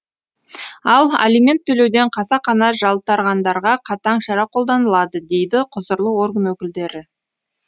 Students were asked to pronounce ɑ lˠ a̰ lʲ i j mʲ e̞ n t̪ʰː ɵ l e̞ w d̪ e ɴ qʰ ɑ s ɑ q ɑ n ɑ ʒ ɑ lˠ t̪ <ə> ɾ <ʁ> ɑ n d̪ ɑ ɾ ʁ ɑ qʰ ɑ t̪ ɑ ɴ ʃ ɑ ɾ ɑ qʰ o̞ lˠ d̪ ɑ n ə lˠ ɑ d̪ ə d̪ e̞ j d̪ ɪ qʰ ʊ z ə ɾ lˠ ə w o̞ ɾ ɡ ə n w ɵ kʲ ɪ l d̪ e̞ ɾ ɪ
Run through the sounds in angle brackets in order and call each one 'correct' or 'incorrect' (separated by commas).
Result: incorrect, correct